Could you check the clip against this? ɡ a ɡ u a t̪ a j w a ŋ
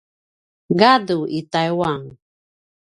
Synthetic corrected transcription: ɡ a d u i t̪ a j w a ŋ